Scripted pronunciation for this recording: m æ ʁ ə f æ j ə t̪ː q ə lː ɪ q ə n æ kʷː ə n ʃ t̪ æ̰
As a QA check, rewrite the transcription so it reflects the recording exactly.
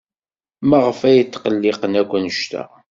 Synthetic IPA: m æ ʁ ə f æ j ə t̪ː q ə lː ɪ q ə n æ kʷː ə n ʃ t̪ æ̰